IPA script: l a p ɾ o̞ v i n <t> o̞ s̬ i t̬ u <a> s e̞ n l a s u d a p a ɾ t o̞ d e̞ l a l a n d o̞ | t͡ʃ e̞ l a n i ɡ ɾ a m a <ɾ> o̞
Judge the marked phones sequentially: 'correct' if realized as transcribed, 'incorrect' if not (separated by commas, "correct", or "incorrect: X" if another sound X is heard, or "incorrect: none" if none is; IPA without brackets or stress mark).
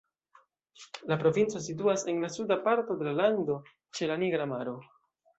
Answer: incorrect: t͡s, correct, correct